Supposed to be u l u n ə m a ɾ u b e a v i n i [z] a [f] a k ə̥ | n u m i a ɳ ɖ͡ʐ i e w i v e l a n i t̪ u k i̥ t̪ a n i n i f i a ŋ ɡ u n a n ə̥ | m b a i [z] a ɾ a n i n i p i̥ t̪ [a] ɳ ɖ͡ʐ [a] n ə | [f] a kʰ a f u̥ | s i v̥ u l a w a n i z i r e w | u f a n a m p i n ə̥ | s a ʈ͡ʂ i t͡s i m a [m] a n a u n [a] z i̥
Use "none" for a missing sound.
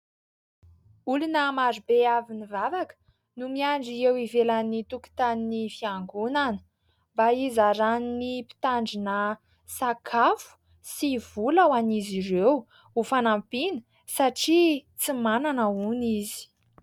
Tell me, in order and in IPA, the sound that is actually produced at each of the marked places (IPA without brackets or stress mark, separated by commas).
v, v, z, a, i, s, n, i